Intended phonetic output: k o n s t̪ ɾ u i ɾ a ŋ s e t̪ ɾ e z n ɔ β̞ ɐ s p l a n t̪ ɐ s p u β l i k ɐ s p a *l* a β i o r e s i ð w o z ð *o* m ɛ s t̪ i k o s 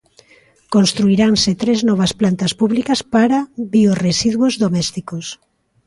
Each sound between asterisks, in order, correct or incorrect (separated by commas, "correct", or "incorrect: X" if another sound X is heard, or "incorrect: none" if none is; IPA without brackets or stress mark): incorrect: ɾ, correct